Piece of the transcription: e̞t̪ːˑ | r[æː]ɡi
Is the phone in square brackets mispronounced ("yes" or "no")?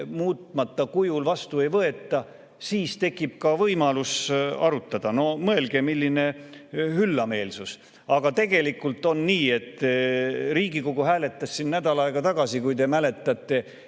yes